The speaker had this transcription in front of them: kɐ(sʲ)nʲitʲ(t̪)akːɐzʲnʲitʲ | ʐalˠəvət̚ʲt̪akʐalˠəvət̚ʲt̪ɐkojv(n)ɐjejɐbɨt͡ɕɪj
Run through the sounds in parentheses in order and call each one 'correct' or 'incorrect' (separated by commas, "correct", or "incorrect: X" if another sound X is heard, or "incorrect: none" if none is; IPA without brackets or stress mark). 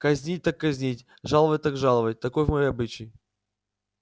incorrect: zʲ, correct, incorrect: m